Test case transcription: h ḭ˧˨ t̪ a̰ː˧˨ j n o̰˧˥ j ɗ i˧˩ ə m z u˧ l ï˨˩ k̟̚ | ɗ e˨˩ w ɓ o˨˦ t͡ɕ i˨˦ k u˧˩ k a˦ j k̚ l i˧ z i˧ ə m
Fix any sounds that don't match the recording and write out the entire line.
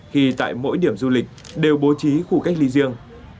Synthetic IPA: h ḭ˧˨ t̪ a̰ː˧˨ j m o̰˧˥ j ɗ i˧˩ ə m z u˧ l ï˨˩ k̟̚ | ɗ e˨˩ w ɓ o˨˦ t͡ɕ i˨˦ x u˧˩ k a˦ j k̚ l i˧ z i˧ ə ŋ